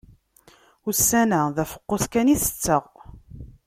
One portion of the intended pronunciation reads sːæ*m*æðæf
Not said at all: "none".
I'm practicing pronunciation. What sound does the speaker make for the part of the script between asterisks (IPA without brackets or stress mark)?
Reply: n